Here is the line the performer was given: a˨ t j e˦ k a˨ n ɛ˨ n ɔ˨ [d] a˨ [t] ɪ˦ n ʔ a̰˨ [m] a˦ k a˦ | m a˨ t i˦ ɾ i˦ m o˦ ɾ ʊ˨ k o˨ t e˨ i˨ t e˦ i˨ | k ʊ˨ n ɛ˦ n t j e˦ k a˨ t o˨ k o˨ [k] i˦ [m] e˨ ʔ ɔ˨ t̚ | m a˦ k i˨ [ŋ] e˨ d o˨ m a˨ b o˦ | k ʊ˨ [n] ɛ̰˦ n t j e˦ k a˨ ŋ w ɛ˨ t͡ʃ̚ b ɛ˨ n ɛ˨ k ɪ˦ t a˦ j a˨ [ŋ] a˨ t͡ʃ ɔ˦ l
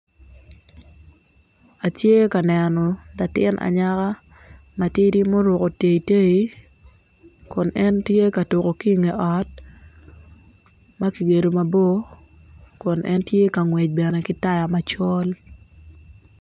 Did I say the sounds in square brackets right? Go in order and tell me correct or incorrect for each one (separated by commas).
correct, correct, incorrect, correct, incorrect, incorrect, correct, incorrect